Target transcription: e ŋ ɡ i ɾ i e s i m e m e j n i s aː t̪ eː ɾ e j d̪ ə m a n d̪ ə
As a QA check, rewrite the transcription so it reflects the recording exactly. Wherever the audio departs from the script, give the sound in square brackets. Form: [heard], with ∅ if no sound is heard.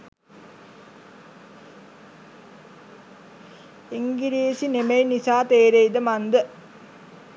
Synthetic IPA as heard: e ŋ ɡ i ɾ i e s i [n] e m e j n i s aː t̪ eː ɾ e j d̪ ə m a n d̪ ə